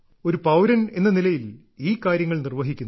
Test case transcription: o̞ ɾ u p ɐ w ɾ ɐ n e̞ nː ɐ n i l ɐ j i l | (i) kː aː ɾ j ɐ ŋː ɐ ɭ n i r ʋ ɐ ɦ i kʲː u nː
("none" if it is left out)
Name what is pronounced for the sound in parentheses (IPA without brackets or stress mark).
iː